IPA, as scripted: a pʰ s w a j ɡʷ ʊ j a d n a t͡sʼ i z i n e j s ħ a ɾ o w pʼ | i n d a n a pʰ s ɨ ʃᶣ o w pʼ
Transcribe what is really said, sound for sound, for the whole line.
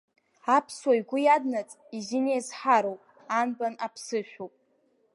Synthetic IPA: a pʰ s w a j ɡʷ ʊ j a d n a t͡sʼ i z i n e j z ħ a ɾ o w pʼ | a n b a n a pʰ s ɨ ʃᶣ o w pʼ